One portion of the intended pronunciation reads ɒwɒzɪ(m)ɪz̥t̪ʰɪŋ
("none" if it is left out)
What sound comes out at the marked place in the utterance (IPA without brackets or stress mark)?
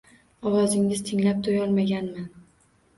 ŋ